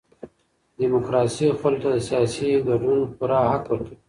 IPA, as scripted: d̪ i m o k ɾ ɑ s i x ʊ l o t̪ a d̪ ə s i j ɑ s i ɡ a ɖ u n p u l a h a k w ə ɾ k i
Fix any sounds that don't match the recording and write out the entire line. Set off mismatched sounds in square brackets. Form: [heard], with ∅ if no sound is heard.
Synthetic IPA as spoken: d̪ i m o k ɾ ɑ s i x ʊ l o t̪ a d̪ ə s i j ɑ s i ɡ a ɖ u n p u [ɾ] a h a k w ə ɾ k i